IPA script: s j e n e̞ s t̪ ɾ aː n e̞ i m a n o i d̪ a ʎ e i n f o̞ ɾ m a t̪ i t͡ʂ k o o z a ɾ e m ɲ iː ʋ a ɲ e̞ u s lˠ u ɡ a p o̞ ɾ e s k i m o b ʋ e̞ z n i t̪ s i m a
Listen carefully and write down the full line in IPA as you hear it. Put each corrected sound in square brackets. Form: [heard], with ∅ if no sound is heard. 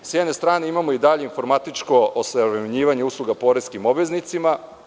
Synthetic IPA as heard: s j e n e̞ s t̪ ɾ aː n e̞ i m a [m] o i d̪ a ʎ e i n f o̞ ɾ m a t̪ i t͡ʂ k o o [s] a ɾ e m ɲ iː ʋ a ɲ e̞ u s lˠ u ɡ a p o̞ ɾ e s k i m o b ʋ e̞ z n i t̪ s i m a